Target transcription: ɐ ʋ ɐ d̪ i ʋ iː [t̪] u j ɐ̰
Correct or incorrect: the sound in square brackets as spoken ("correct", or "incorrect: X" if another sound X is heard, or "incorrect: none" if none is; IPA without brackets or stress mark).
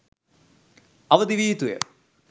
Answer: correct